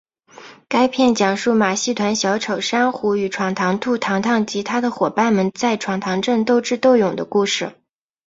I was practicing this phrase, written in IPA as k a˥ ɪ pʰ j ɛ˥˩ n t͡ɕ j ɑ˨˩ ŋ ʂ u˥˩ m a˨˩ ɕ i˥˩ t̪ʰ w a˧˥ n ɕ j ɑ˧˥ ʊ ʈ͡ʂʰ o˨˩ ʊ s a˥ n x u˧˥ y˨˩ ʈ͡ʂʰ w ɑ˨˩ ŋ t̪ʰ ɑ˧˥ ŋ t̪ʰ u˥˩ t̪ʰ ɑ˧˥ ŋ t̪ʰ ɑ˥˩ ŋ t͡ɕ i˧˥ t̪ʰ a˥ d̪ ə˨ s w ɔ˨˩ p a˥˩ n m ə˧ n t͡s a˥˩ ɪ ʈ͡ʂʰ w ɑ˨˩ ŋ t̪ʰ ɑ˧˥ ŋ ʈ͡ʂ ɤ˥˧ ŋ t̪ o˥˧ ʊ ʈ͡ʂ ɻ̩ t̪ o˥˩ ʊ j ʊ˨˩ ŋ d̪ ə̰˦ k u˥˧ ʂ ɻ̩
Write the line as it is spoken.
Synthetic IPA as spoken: k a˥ ɪ pʰ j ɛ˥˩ n t͡ɕ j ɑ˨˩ ŋ ʂ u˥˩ m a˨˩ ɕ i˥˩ t̪ʰ w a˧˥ n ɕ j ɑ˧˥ ʊ ʈ͡ʂʰ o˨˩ ʊ ʂ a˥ n x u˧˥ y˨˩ ʈ͡ʂʰ w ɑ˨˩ ŋ t̪ʰ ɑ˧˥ ŋ t̪ʰ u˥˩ t̪ʰ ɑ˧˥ ŋ t̪ʰ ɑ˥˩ ŋ t͡ɕ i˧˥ t̪ʰ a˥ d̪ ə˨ x w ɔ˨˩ p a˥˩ n m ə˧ n t͡s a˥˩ ɪ ʈ͡ʂʰ w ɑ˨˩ ŋ t̪ʰ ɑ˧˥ ŋ ʈ͡ʂ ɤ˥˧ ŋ t̪ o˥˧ ʊ ʈ͡ʂ ɻ̩ t̪ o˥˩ ʊ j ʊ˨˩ ŋ d̪ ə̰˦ k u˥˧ ʂ ɻ̩